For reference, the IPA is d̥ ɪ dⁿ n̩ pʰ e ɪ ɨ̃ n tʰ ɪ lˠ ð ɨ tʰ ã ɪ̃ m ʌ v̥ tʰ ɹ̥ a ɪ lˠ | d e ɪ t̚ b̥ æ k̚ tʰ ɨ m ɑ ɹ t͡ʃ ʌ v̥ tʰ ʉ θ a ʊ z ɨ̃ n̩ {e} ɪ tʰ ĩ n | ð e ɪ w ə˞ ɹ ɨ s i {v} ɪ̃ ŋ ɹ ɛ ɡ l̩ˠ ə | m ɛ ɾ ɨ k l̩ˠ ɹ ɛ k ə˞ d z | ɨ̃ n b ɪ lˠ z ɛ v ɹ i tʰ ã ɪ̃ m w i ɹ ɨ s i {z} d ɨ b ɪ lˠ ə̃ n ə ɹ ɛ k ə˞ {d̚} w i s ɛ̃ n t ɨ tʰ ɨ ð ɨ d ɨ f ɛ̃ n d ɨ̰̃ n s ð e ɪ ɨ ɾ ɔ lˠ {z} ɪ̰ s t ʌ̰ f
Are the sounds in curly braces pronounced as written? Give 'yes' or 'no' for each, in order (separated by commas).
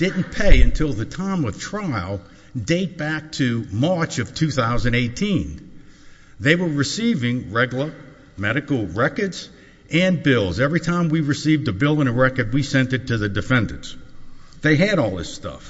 yes, yes, no, yes, no